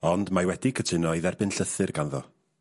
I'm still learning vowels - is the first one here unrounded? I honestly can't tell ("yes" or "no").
no